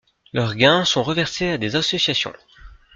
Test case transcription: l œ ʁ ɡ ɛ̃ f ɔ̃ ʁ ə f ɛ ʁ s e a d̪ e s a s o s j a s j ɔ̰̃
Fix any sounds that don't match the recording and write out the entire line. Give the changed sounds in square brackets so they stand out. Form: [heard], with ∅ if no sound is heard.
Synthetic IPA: l œ ʁ ɡ ɛ̃ [s] ɔ̃ ʁ ə [v] ɛ ʁ s e a d̪ e [z] a s [ɔ] s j a s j ɔ̰̃